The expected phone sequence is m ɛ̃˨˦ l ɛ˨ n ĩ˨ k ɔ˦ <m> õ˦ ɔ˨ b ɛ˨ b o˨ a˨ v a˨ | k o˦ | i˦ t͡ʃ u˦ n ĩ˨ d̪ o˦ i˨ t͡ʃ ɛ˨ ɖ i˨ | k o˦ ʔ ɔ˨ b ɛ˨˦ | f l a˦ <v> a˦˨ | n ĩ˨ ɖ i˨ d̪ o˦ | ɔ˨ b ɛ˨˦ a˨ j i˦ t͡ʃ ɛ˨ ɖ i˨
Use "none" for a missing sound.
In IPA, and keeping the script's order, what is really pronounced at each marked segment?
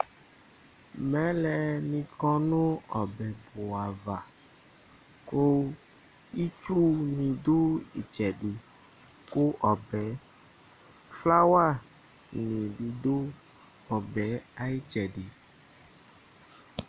n, w

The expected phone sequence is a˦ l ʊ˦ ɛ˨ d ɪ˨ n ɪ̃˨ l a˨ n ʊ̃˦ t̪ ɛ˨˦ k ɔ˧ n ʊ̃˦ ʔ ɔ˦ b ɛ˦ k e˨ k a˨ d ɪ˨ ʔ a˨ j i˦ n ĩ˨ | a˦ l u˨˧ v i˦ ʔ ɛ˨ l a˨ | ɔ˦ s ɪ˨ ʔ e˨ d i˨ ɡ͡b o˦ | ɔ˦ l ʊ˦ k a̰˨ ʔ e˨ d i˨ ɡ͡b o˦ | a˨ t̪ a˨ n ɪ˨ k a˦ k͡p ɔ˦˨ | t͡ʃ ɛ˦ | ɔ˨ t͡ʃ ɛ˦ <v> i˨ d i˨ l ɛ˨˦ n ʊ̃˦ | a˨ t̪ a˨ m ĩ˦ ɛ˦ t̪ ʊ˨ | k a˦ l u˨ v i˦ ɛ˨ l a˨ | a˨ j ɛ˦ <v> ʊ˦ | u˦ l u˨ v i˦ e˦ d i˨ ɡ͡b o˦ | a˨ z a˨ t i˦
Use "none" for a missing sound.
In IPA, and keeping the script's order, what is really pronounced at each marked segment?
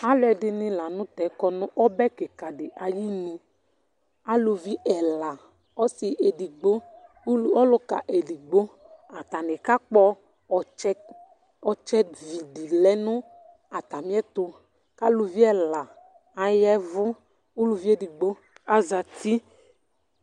v, v

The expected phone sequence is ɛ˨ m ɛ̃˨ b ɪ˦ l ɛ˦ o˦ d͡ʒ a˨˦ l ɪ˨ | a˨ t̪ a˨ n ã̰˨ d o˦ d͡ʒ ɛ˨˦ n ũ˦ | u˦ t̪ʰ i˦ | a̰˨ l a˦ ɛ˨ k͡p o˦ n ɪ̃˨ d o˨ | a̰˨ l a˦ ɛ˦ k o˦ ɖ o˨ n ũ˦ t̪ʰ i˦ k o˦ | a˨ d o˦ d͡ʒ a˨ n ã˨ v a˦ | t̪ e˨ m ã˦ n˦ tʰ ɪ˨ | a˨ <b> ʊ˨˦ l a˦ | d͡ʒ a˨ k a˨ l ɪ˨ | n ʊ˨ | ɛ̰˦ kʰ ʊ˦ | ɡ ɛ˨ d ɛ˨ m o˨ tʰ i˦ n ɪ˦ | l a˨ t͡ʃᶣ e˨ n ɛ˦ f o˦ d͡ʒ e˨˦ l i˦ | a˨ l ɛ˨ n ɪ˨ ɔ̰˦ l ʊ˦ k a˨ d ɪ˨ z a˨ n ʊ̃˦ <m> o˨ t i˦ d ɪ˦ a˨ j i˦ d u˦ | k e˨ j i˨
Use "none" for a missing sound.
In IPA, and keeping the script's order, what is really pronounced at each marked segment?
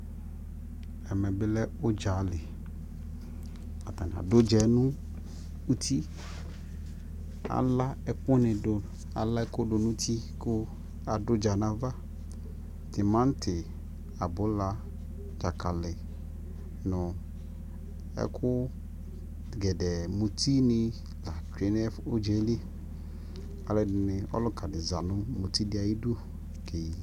b, m

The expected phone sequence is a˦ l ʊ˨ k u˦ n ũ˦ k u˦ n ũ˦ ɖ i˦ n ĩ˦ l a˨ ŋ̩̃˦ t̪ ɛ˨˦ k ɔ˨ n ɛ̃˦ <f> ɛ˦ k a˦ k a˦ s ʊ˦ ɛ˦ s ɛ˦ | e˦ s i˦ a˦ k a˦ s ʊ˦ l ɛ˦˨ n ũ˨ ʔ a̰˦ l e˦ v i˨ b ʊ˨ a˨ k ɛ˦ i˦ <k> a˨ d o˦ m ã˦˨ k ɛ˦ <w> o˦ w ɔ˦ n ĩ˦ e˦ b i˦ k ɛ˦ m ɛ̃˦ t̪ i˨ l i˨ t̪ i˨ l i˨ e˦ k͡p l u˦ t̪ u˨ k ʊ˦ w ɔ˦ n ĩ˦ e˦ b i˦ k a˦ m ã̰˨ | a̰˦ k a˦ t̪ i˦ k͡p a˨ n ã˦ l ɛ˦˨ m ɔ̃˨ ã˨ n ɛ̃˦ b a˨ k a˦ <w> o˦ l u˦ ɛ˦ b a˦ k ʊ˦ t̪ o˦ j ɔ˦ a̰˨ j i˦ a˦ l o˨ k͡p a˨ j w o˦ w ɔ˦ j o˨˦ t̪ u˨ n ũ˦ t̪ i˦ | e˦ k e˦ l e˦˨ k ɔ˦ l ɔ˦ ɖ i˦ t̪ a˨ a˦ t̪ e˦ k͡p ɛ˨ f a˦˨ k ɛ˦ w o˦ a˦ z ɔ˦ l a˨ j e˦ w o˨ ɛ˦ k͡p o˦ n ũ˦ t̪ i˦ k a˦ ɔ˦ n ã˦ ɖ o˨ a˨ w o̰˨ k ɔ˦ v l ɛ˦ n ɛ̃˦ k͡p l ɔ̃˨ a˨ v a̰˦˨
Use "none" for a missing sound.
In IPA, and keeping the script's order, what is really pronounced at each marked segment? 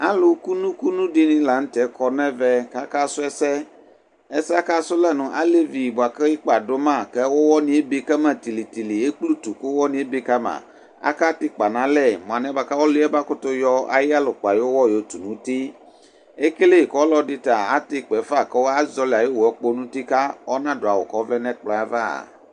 v, k͡p, w, w

